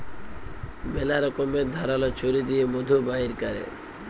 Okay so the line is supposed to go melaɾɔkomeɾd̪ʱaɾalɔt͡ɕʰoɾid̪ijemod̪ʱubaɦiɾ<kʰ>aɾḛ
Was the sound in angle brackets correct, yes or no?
no